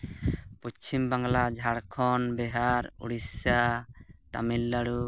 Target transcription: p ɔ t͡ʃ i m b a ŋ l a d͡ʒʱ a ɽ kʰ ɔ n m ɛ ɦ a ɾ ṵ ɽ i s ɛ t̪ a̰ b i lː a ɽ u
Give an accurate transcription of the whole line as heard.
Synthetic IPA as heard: p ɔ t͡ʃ i m b a ŋ l a d͡ʒʱ a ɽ kʰ ɔ n b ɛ ɦ a ɾ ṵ ɽ i s a t̪ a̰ m i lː a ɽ u

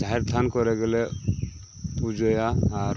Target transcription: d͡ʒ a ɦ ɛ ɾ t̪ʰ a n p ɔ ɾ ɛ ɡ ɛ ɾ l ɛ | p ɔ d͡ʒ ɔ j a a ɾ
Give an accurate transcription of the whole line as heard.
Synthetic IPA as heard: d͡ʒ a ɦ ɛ ɾ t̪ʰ a n k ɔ ɾ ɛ ɡ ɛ l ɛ | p u d͡ʒ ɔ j a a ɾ

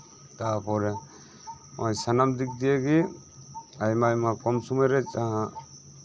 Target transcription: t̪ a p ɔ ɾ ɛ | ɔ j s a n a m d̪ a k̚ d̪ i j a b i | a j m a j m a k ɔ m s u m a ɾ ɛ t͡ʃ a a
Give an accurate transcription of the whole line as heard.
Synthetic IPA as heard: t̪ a p ɔ ɾ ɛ | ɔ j s a n a m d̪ i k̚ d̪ i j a ɡ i | a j m a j m a k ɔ m s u m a ɾ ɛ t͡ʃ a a

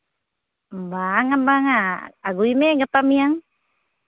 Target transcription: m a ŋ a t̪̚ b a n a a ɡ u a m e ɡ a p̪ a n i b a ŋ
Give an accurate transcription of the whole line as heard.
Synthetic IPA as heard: b a ŋ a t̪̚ b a ŋ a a ɡ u i m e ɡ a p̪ a m i a ŋ

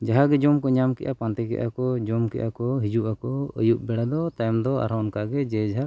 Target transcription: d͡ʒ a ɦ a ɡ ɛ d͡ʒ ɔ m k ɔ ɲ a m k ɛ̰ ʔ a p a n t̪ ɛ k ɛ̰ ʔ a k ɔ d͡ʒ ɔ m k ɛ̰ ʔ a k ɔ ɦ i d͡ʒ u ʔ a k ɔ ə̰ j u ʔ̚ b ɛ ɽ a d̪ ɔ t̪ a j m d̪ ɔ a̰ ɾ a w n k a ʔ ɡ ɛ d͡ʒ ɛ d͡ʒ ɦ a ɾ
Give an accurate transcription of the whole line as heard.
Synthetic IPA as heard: d͡ʒ a ɦ a ɡ ɛ d͡ʒ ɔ m k ɔ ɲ a m k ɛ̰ ʔ a p a n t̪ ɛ k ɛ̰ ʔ a k ɔ d͡ʒ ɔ m k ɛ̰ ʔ a k ɔ ɦ i d͡ʒ u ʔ a k ɔ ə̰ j u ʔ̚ b ɛ ɽ a d̪ ɔ t̪ a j m d̪ ɔ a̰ ɾ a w n k a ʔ ɡ ɛ d͡ʒ ɛ d͡ʒ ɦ a ɾ

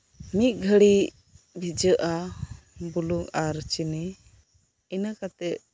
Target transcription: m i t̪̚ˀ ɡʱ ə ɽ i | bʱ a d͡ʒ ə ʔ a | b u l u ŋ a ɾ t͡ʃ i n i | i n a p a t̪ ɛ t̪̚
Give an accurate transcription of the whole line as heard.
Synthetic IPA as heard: m i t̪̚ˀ ɡʱ ə ɽ i | bʱ i d͡ʒ ə ʔ a | b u l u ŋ a ɾ t͡ʃ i n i | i n a k a t̪ ɛ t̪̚

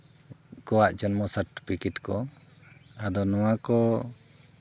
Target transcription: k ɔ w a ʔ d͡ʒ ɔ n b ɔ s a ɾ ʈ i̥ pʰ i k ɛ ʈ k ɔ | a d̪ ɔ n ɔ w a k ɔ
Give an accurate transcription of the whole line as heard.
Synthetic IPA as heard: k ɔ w a ʔ d͡ʒ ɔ n m ɔ s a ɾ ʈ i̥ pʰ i k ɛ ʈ k ɔ | a d̪ ɔ n ɔ w a k ɔ

